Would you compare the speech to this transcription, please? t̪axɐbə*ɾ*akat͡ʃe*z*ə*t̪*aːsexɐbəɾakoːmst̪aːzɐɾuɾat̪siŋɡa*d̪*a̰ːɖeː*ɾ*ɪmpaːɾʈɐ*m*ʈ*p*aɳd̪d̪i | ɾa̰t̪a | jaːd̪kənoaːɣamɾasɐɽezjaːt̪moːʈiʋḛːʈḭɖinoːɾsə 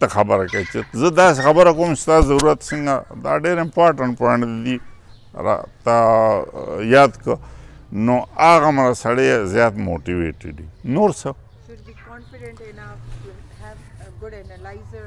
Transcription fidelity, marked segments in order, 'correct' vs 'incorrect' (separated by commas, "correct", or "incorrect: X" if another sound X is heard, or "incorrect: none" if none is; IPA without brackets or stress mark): correct, correct, incorrect: d̪, correct, correct, incorrect: ɳ, correct